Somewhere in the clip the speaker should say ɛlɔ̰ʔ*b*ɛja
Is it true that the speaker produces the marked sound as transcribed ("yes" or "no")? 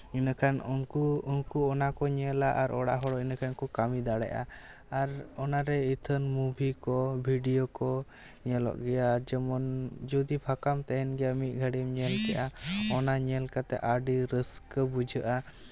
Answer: no